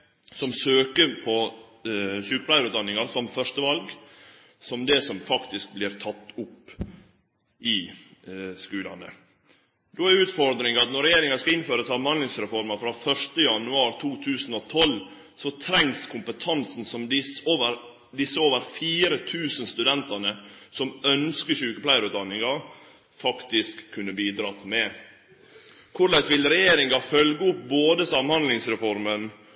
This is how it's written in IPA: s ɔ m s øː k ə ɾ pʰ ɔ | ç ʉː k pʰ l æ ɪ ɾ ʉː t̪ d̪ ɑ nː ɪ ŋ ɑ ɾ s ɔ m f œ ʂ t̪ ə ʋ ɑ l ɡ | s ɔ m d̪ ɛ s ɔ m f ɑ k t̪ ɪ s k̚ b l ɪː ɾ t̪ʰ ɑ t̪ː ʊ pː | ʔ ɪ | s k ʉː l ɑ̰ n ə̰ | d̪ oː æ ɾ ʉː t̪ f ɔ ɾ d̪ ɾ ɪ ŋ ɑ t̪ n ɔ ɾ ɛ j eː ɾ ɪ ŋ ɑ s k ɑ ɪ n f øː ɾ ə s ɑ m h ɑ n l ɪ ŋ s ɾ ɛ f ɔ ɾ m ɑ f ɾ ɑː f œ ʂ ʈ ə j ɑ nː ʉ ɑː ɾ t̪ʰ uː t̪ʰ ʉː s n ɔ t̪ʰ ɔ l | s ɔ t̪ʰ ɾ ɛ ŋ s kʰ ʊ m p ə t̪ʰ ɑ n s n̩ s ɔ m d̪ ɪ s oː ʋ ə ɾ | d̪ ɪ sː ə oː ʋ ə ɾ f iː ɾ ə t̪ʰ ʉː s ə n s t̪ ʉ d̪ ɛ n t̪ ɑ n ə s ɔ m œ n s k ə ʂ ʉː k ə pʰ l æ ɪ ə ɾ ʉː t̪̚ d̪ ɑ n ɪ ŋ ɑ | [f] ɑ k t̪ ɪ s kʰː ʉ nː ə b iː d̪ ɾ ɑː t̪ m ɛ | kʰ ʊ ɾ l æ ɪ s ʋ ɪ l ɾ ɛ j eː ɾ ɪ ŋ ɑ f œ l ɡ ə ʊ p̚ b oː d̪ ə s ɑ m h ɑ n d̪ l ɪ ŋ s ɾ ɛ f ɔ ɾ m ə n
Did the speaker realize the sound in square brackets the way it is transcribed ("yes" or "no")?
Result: yes